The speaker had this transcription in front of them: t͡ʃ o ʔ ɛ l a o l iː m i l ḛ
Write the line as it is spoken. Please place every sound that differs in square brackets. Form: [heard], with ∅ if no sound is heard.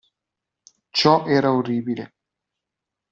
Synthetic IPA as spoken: t͡ʃ [ɔ] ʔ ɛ [ɾ] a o [r] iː [b] i l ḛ